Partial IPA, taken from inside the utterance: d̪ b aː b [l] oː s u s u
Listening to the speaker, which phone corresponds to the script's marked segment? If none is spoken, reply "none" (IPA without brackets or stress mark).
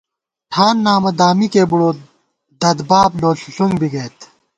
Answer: l